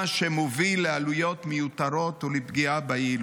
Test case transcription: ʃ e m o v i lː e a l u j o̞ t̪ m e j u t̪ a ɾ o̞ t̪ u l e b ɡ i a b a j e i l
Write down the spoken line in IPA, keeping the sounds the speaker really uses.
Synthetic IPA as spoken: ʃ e m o v i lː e a l u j o̞ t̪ m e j u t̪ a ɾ o̞ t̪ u l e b ɡ i a b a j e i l